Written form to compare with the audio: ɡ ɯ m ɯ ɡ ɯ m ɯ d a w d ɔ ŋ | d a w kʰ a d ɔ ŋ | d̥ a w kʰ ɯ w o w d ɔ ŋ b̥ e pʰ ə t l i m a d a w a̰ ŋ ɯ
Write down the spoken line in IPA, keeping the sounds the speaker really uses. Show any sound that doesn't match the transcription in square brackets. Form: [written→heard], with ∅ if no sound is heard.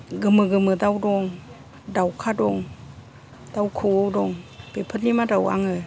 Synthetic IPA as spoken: ɡ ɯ m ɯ ɡ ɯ m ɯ d a w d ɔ ŋ | d a w kʰ a d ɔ ŋ | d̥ a w kʰ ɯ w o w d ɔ ŋ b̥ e pʰ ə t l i m a d a w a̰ ŋ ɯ